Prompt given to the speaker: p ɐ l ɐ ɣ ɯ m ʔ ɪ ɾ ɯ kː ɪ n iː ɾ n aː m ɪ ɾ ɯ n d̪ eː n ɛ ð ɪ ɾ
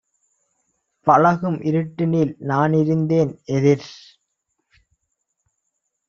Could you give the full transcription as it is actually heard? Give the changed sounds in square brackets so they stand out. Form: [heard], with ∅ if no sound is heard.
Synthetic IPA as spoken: p ɐ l ɐ ɣ ɯ m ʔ ɪ ɾ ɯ [ʈː] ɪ n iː [l] n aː [n] ɪ ɾ ɯ n d̪ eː n ɛ ð ɪ ɾ